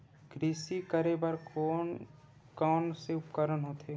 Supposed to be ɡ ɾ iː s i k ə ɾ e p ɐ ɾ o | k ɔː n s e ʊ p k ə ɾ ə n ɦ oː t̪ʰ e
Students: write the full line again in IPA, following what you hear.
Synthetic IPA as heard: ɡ ɾ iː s i k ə ɾ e b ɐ ɾ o | k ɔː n s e ʊ p k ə ɾ ə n ɦ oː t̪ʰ e